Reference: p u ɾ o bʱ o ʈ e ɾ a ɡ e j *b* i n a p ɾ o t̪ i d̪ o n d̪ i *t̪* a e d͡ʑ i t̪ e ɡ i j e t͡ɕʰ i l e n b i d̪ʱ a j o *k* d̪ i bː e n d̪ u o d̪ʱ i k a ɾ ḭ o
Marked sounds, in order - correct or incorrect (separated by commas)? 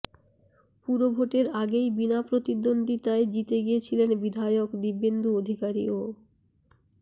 correct, correct, correct